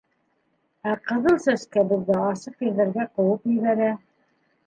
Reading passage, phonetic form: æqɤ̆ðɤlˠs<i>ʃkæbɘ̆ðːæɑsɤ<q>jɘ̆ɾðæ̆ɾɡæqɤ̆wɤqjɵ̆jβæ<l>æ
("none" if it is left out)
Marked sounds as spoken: æ, q, ɾ

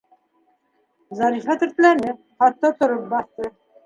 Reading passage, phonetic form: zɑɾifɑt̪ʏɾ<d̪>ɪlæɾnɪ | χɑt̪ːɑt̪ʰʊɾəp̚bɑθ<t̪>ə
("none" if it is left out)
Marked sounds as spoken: t̪, t̪

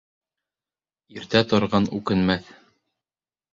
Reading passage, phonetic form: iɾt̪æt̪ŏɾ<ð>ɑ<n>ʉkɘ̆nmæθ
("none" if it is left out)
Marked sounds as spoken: ʁ, n

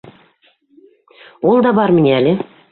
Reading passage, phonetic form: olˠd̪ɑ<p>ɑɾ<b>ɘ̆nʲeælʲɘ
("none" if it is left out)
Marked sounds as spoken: b, m

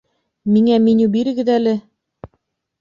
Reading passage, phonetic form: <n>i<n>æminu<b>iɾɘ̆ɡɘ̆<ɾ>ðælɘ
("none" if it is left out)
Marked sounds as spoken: m, ŋ, b, none

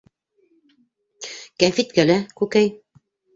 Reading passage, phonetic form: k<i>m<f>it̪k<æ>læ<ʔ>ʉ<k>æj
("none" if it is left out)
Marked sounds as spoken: æ, f, æ, k, k

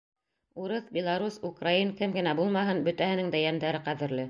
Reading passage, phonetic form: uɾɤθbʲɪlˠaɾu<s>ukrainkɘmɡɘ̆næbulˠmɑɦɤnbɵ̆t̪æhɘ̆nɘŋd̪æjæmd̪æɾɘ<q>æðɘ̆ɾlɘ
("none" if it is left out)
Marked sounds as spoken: s, q

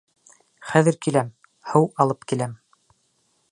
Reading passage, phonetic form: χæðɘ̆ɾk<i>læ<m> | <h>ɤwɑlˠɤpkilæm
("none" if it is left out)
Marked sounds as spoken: i, m, h

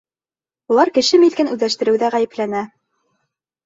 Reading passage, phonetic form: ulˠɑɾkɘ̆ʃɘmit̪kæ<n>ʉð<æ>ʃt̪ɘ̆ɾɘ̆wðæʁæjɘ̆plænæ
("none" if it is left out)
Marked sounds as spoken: n, æ

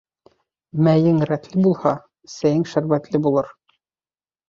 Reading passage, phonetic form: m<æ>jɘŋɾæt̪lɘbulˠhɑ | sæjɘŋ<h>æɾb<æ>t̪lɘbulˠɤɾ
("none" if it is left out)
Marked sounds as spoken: æ, ʃ, æ

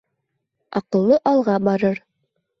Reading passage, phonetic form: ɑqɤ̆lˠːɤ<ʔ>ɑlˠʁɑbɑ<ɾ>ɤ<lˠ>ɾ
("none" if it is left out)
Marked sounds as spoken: ʔ, ɾ, none

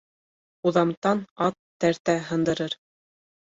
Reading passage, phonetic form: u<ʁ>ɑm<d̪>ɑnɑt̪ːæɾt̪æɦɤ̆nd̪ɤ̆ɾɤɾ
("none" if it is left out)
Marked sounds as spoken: ð, t̪

